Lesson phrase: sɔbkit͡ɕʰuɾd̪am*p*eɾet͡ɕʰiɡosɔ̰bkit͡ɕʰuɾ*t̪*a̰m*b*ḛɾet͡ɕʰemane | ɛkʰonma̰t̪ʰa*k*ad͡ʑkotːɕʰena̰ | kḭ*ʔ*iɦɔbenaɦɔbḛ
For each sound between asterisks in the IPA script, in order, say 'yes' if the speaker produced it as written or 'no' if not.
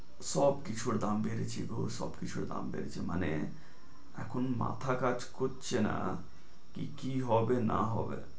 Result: no, no, yes, yes, no

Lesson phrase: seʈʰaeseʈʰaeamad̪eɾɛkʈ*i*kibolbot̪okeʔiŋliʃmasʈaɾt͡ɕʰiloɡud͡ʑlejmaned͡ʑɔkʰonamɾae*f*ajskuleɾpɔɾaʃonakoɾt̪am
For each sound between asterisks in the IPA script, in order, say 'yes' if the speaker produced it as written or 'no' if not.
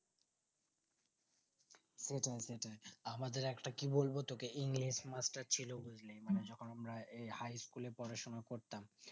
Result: no, no

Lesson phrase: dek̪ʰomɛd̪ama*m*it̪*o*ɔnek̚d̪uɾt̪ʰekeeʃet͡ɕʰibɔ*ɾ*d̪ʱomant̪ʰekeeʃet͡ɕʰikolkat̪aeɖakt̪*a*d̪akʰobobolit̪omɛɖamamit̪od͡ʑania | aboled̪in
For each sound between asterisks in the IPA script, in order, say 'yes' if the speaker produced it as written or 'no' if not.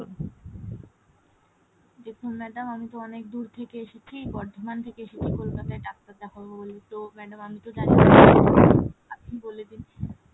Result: yes, yes, yes, yes

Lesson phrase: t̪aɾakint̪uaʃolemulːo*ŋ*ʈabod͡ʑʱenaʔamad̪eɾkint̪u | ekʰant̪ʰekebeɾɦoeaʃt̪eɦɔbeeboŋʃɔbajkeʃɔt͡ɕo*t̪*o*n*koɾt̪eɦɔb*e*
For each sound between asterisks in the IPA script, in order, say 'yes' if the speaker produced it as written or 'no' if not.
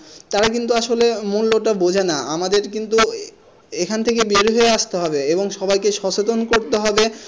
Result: no, yes, yes, yes

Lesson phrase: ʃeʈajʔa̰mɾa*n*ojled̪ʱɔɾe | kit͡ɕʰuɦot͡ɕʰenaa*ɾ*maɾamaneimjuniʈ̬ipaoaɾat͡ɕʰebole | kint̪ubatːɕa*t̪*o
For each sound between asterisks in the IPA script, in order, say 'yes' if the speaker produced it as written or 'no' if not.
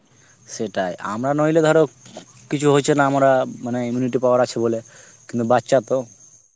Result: yes, no, yes

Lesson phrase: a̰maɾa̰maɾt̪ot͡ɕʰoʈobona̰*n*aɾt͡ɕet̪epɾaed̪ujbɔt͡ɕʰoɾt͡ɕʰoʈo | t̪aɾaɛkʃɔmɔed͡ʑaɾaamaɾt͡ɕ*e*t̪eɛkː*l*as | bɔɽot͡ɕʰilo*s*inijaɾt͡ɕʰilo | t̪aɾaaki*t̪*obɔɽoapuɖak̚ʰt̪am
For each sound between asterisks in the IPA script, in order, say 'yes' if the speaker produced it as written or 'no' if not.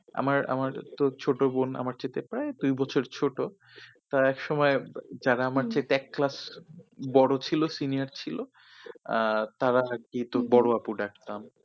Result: no, yes, yes, yes, yes

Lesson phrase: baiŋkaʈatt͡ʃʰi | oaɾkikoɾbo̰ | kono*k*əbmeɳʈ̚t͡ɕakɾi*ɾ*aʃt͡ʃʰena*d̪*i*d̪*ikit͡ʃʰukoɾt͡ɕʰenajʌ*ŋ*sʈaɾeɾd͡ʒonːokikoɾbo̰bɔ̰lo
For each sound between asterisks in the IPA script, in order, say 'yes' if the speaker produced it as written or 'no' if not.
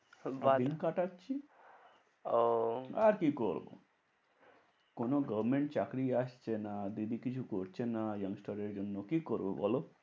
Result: no, no, yes, yes, yes

